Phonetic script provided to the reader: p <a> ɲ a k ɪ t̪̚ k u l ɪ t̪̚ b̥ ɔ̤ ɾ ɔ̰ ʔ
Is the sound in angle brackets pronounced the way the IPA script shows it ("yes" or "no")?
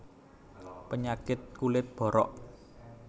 no